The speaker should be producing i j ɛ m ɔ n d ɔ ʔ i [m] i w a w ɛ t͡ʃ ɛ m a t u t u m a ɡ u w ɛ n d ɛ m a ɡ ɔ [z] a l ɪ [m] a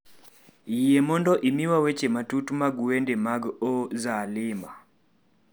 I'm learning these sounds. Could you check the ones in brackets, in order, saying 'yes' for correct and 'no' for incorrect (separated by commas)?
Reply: yes, yes, yes